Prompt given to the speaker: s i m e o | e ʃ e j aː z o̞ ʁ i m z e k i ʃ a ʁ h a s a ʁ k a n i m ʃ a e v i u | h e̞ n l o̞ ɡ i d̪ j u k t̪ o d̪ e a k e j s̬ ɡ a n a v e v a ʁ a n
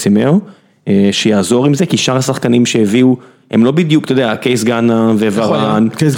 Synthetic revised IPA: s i m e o | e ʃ e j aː z o̞ ʁ i m z e k i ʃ a ʁ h a s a χ k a n i m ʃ e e v i u | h e̞ m l o̞ b i d̪ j u k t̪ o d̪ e a k e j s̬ ɡ a n a v e v a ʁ a n